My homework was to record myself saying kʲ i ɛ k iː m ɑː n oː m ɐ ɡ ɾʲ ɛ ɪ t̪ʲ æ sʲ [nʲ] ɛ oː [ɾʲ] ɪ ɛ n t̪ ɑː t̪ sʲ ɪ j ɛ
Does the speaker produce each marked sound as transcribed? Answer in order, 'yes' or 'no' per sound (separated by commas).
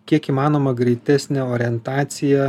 yes, yes